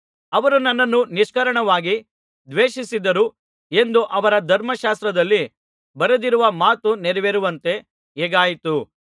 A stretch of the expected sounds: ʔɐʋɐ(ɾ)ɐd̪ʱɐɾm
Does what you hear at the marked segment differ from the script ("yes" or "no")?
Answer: no